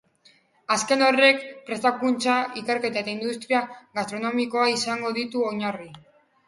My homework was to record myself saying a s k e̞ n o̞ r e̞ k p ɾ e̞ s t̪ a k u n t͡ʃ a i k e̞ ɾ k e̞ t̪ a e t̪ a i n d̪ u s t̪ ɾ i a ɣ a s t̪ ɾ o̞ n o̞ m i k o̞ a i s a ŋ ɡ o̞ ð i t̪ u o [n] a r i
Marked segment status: incorrect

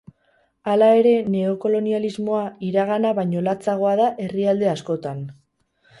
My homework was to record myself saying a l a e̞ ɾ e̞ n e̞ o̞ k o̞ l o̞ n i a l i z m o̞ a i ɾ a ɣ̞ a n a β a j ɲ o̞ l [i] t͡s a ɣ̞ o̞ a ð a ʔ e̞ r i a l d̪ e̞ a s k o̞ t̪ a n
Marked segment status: incorrect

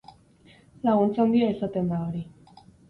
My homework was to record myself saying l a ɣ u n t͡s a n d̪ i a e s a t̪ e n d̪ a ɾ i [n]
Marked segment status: incorrect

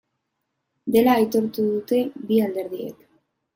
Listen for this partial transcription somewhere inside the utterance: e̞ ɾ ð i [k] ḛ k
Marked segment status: incorrect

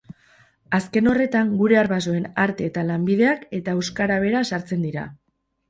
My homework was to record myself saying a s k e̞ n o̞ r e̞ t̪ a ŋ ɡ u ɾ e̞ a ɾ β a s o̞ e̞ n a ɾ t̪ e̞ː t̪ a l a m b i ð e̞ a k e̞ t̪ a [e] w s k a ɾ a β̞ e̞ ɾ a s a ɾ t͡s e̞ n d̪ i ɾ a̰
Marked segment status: correct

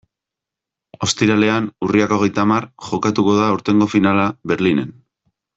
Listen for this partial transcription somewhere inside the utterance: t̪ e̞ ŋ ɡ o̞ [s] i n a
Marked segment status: incorrect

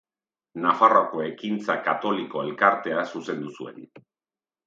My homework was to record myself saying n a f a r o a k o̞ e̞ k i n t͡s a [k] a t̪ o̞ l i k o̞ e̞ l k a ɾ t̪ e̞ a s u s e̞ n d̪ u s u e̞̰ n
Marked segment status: correct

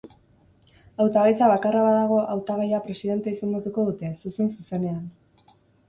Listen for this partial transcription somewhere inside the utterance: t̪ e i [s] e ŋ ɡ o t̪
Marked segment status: correct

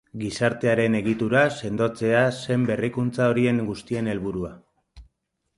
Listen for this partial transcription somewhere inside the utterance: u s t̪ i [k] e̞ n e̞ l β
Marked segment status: incorrect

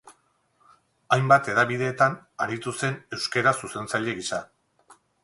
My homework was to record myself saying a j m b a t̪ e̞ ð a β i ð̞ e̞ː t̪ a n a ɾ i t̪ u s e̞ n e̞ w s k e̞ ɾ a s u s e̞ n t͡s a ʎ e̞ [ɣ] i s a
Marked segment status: correct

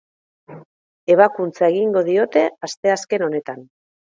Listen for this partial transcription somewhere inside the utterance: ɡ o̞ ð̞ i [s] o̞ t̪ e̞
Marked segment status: incorrect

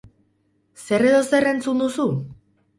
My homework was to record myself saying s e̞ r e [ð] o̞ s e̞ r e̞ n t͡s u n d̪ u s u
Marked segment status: correct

